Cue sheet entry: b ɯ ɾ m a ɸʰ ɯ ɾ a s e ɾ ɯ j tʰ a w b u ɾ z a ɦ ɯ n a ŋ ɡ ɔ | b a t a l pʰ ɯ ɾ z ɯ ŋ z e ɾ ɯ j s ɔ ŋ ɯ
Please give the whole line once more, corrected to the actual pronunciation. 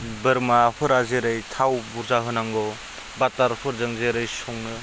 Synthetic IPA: b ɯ ɾ m a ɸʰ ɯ ɾ a z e ɾ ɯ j tʰ a w b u ɾ z a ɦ ɯ n a ŋ ɡ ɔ | b a t a ɾ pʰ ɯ ɾ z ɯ ŋ z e ɾ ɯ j s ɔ ŋ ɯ